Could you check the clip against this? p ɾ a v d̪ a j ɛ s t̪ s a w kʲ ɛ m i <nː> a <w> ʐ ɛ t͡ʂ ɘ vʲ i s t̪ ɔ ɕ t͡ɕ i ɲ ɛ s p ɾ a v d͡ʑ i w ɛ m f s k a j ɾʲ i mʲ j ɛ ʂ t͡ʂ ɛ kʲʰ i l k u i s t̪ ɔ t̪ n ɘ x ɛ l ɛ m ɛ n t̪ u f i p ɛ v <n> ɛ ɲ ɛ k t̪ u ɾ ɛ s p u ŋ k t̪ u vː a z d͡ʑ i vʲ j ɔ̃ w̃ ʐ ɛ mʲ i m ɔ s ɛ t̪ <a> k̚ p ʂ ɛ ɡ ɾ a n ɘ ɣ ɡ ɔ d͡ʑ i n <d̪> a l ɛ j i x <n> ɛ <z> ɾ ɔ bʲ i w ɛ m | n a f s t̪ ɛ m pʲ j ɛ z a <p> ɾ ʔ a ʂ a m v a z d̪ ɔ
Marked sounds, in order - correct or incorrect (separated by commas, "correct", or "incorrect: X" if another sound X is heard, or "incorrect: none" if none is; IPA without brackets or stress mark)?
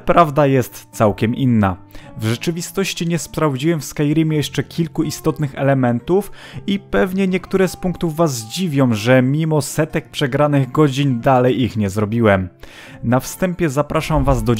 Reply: correct, incorrect: v, incorrect: ɲ, incorrect: ɛ, correct, incorrect: ɲ, correct, correct